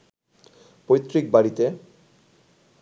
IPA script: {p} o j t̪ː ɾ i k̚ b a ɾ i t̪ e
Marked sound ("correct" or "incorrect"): correct